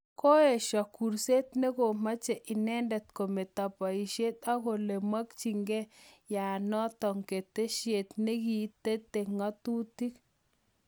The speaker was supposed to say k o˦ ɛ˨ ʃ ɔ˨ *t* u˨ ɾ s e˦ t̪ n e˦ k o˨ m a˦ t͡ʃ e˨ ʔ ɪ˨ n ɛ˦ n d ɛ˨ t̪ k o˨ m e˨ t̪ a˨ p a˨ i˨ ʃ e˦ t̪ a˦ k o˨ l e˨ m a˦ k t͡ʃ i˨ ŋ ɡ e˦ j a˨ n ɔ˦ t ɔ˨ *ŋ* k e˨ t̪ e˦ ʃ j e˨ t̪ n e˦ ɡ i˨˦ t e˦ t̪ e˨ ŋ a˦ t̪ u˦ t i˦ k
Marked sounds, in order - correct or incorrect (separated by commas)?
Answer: incorrect, correct